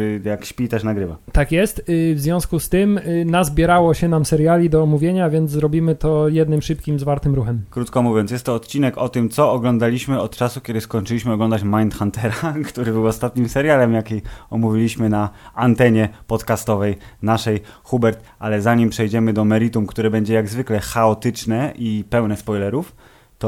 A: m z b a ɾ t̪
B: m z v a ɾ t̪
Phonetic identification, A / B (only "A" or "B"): B